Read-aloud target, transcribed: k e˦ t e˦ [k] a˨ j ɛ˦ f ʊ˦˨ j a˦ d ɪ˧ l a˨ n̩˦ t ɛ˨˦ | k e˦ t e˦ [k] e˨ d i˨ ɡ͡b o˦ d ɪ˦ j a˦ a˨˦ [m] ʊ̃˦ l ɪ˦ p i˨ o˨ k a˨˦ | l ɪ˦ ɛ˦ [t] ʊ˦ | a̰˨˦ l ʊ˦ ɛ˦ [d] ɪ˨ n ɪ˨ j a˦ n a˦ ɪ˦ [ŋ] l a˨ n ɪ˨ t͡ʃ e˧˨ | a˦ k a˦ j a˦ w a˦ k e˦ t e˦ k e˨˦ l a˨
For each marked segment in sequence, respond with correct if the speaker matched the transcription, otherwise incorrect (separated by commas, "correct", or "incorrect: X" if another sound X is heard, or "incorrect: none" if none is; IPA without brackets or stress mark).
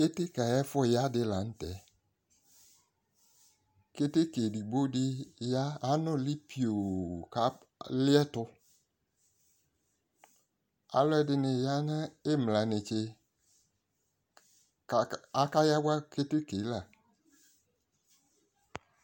correct, correct, incorrect: n, correct, correct, incorrect: m